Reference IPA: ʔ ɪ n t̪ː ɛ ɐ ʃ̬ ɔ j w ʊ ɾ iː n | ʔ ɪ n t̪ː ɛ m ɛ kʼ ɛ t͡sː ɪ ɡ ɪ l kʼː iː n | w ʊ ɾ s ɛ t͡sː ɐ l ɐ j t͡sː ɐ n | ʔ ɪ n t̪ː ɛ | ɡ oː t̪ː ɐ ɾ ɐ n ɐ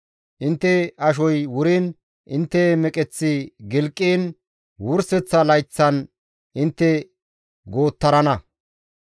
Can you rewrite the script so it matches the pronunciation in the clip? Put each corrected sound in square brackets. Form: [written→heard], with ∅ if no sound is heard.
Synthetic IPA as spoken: ʔ ɪ n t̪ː ɛ ɐ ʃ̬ ɔ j w ʊ ɾ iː n | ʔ ɪ n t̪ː ɛ m ɛ kʼ ɛ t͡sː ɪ ɡ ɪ l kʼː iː n | w ʊ ɾ s ɛ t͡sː ɐ l ɐ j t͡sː ɐ n | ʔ ɪ n t̪ː ɛ | ɡ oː t̪ː ɐ ɾ ɐ n ɐ